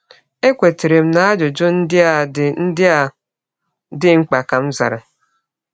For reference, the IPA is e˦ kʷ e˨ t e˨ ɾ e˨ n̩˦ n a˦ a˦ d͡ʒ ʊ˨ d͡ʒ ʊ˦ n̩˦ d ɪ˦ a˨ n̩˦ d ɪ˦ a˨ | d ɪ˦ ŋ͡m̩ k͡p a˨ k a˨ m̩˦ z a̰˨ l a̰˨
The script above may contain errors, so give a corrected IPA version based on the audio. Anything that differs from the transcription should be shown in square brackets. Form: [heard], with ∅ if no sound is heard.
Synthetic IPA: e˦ kʷ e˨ t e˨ ɾ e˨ [m̩˦] n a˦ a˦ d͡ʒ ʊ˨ d͡ʒ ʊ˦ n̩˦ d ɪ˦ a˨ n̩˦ d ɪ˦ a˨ | d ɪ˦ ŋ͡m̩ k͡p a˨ k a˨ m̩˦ z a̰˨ [ɾ] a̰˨

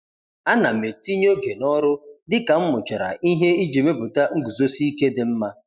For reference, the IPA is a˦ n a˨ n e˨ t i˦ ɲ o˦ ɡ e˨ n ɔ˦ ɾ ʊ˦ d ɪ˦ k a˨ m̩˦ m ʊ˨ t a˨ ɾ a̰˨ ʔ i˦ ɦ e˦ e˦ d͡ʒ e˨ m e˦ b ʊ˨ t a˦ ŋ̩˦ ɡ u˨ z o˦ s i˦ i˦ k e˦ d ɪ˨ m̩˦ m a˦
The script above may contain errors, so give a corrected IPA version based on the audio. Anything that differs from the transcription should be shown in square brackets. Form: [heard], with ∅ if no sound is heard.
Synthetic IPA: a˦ n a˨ [m] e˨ t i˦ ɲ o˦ ɡ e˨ n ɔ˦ ɾ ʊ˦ d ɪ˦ k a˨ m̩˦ m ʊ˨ [t͡ʃ] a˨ ɾ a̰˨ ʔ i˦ ɦ e˦ [i˦] d͡ʒ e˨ m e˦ b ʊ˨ t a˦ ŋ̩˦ ɡ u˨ z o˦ s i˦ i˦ k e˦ d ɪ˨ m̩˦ m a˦

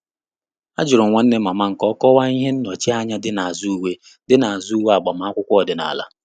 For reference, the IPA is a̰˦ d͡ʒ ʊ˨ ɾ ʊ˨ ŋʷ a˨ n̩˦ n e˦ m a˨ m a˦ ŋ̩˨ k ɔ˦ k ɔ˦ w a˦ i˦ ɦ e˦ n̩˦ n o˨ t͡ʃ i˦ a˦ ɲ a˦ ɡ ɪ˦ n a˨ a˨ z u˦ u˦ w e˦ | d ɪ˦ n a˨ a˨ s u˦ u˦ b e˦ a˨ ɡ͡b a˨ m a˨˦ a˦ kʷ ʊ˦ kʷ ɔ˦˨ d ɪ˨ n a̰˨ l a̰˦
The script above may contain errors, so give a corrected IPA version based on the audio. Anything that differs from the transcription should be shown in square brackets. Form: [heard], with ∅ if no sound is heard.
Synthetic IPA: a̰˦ d͡ʒ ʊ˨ ɾ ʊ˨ ŋʷ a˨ n̩˦ n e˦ m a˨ m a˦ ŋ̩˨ k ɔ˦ k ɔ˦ w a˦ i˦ ɦ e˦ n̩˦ n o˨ t͡ʃ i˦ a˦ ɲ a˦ [d] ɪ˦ n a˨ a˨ z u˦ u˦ w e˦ | d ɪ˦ n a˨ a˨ [z] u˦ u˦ [w] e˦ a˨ ɡ͡b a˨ m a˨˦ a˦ kʷ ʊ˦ kʷ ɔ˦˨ d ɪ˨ n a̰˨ l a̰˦

